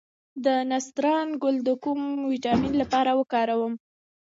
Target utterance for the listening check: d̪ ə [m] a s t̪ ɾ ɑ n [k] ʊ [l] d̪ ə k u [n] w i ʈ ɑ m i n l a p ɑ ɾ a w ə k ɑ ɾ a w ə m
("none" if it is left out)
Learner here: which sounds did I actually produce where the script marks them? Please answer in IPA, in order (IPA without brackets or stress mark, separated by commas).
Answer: n, ɡ, l, m